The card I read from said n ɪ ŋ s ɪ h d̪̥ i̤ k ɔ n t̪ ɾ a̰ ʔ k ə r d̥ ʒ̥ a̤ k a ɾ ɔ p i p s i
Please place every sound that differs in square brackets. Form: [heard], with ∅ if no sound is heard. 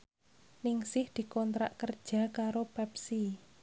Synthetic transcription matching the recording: n ɪ ŋ s ɪ h d̪̥ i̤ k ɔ n t̪ ɾ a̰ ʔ k ə r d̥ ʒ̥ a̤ k a ɾ [o] p [ɛ] p s i